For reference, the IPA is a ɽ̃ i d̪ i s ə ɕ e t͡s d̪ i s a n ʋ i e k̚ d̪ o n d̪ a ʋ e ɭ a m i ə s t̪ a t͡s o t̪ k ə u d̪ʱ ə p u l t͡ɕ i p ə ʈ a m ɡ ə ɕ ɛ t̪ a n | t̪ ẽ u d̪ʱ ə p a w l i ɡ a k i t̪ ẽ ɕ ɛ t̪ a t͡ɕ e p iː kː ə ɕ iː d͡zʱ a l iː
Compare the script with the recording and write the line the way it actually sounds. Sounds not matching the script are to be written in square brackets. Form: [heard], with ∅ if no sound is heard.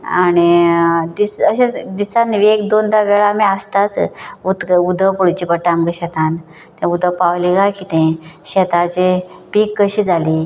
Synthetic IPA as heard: a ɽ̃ i d̪ i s ə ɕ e [∅] d̪ i s a n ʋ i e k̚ d̪ o n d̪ a ʋ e ɭ a m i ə s t̪ a t͡s [u] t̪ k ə u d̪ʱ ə p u [ɽ] t͡ɕ i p ə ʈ a m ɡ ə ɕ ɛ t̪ a n | t̪ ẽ u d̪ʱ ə p a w l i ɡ a k i t̪ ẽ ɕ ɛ t̪ a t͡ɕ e p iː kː ə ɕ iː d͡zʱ a l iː